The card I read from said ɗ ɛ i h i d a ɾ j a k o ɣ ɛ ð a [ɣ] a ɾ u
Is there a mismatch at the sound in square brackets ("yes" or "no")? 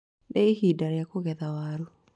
yes